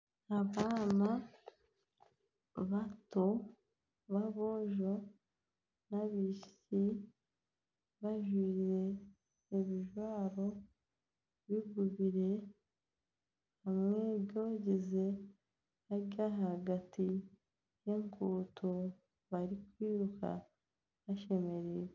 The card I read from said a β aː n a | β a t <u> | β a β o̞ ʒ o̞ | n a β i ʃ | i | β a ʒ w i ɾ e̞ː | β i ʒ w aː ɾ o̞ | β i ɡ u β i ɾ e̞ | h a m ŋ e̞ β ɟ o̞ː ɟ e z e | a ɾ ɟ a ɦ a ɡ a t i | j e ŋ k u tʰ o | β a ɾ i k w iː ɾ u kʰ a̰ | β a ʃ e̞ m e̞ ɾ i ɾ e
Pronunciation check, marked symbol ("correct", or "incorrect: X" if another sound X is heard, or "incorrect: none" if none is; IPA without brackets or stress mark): incorrect: o